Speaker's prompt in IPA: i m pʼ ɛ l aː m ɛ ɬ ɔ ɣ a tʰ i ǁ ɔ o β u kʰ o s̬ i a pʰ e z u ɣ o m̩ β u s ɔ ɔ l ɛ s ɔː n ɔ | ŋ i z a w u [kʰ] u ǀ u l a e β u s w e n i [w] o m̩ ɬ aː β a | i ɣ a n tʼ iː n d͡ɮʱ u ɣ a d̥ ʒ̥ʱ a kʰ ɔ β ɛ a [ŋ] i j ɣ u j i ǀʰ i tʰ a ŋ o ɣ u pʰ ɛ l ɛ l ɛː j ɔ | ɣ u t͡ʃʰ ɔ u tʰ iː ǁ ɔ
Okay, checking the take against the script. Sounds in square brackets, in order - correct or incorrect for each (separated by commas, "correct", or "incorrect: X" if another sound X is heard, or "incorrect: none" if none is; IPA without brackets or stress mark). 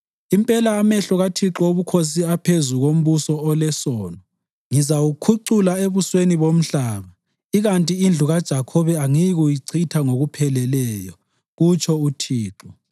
correct, incorrect: β, correct